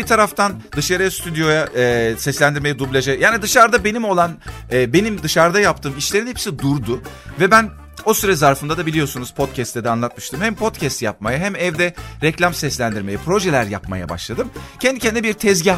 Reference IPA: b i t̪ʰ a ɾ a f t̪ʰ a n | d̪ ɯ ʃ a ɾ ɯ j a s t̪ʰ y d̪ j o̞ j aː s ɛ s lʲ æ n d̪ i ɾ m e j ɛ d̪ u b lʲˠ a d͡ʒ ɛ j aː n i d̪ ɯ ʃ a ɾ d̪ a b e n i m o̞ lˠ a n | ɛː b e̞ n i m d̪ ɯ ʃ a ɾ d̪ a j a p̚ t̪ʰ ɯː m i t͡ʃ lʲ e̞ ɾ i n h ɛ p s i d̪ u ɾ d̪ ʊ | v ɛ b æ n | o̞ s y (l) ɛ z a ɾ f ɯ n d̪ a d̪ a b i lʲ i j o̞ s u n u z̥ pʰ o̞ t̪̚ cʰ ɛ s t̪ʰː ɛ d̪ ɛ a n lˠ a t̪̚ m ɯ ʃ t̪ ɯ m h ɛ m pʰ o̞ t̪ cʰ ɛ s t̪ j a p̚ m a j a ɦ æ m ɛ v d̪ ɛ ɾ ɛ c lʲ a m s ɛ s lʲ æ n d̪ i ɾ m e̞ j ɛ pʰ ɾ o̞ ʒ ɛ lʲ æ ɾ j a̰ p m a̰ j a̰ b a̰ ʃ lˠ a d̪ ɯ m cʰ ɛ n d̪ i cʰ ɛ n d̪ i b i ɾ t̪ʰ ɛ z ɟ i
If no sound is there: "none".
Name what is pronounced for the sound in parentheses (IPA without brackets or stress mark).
ɾ